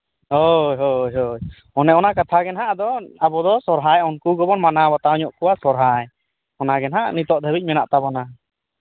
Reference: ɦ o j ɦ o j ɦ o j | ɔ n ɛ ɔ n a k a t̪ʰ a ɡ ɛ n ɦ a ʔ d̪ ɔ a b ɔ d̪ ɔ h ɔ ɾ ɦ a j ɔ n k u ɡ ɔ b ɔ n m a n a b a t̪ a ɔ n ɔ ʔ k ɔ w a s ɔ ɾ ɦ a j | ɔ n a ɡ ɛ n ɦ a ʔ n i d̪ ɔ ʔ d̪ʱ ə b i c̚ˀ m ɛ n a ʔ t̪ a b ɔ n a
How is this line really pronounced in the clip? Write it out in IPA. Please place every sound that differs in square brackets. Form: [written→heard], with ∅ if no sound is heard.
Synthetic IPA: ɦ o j ɦ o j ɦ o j | ɔ n ɛ ɔ n a k a t̪ʰ a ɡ ɛ n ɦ a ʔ d̪ ɔ a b ɔ d̪ ɔ [h→s] ɔ ɾ ɦ a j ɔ n k u ɡ ɔ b ɔ n m a n a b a t̪ a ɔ [n→ɲ] ɔ ʔ k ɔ w a s ɔ ɾ ɦ a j | ɔ n a ɡ ɛ n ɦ a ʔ n i [d̪→t̪] ɔ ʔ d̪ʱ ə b i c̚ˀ m ɛ n a ʔ t̪ a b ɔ n a